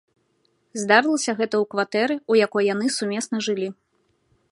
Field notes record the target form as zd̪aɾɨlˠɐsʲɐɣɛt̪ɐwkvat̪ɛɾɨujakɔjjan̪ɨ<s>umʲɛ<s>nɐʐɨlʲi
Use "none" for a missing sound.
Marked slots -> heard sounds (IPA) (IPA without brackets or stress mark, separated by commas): s, s